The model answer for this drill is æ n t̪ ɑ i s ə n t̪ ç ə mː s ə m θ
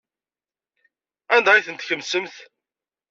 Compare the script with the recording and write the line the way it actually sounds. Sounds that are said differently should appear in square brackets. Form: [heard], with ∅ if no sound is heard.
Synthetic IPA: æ n [d̪] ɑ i [θ] ə n t̪ ç ə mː s ə m θ